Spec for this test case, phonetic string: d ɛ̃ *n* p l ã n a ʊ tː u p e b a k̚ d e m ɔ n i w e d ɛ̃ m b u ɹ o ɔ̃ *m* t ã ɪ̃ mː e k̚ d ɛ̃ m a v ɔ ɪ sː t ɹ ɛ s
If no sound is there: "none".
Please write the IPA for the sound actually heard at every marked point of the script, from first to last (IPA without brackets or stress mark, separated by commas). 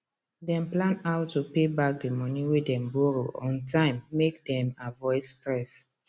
m, n